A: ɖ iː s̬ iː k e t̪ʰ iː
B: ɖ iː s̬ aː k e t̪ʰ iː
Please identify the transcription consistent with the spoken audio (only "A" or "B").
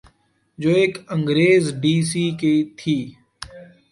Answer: A